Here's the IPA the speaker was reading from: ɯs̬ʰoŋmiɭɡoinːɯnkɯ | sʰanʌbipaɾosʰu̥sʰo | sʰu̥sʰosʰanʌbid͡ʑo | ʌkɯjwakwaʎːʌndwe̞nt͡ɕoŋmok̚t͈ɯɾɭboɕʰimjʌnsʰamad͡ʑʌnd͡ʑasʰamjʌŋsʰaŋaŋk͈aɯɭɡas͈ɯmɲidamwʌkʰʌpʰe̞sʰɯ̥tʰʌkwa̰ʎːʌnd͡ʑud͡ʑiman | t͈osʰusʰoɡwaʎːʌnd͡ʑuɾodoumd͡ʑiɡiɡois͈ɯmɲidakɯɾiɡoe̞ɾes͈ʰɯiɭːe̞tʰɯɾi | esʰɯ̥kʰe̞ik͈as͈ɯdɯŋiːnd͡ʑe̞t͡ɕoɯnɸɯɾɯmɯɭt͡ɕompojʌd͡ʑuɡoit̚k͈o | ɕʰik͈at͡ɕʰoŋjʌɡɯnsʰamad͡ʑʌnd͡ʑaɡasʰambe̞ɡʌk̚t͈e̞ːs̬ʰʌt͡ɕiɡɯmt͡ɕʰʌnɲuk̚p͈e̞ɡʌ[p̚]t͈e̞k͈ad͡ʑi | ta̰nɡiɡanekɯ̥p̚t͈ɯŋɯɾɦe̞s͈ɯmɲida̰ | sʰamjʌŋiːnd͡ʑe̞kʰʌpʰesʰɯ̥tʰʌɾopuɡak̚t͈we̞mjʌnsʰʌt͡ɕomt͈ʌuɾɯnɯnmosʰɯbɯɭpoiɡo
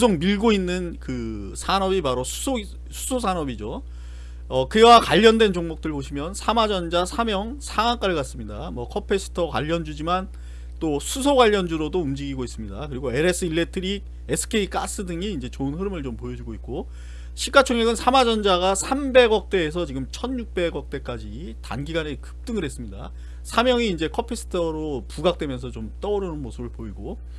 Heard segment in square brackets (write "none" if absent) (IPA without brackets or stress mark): k̚